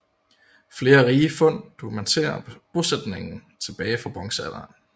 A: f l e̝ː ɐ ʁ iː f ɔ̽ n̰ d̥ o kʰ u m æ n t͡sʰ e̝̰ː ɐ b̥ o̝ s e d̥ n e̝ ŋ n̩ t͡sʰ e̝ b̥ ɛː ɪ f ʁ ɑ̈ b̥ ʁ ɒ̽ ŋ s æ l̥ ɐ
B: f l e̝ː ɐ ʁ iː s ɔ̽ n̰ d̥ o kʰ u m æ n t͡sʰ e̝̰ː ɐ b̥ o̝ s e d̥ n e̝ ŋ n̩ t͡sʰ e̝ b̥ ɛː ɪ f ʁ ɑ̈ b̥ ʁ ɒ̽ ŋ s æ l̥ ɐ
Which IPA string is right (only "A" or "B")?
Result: A